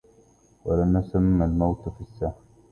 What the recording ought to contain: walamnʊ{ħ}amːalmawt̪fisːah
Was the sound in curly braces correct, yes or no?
no